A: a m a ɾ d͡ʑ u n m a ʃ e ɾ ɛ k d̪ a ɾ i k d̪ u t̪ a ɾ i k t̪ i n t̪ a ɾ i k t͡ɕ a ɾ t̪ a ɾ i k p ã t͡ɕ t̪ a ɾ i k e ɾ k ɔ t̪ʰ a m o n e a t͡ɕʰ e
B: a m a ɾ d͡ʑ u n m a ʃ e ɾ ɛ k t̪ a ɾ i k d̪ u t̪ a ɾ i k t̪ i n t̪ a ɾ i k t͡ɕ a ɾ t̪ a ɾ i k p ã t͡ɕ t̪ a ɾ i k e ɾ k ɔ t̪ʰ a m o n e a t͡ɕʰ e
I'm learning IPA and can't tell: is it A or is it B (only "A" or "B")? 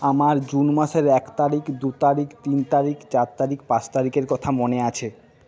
B